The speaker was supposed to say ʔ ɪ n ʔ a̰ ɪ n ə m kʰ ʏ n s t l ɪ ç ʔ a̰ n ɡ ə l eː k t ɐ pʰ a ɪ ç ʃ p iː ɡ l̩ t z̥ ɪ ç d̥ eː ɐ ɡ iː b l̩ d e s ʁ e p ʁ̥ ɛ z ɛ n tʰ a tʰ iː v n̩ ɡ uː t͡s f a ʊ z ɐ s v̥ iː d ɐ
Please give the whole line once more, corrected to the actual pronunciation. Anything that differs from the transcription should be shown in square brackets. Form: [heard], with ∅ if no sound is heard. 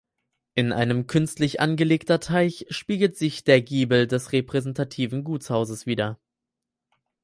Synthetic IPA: ʔ ɪ n ʔ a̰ ɪ n ə m kʰ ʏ n s t l ɪ ç ʔ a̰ n ɡ ə l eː k t ɐ [tʰ] a ɪ ç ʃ p iː ɡ l̩ t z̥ ɪ ç d̥ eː ɐ ɡ iː b l̩ d [ɛ] s ʁ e p ʁ̥ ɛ z ɛ n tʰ a tʰ iː v n̩ ɡ uː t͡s [h] a ʊ z [ə] s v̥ iː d ɐ